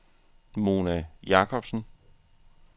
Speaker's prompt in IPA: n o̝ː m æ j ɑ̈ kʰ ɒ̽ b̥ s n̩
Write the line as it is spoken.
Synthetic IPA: m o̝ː n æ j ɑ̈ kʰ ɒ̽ b̥ s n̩